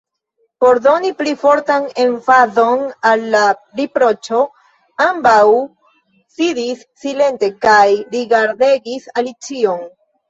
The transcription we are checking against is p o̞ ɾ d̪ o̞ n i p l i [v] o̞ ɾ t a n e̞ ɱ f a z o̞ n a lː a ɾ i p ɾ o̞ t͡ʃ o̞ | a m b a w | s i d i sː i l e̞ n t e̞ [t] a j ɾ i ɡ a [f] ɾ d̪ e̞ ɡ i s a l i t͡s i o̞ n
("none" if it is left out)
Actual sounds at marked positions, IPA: f, k, none

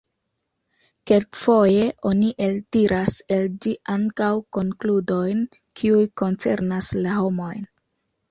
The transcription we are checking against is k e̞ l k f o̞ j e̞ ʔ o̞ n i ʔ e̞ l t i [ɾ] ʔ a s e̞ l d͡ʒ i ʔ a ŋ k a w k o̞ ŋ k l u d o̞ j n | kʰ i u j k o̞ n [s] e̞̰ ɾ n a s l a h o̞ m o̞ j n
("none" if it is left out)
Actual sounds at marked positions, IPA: ɾ, t͡s

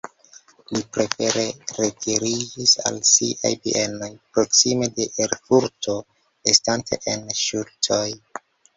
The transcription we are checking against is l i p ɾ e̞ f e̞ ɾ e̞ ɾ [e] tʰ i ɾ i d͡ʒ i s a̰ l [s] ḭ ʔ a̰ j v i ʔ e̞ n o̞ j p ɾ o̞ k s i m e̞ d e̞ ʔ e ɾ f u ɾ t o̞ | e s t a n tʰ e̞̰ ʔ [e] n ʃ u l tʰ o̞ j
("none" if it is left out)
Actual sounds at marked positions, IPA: e, s, e

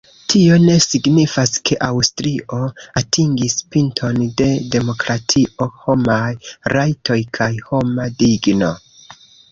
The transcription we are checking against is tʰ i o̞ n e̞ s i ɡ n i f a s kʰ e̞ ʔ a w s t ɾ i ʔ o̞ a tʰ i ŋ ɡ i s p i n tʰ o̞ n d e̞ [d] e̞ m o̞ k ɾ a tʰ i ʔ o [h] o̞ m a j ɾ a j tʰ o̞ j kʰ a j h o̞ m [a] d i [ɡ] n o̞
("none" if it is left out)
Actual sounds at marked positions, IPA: d, h, a, ɡ

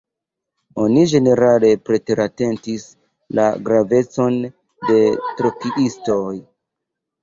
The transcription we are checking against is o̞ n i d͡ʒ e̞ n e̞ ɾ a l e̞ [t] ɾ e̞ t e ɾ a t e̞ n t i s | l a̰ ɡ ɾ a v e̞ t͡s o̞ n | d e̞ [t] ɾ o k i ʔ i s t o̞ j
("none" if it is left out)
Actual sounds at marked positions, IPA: p, t

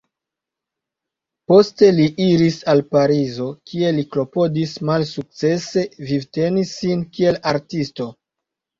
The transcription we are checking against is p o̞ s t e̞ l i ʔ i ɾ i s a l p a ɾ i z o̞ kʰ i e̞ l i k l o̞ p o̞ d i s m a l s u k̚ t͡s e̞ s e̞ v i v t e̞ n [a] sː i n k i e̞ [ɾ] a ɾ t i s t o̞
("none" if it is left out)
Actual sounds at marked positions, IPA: i, l

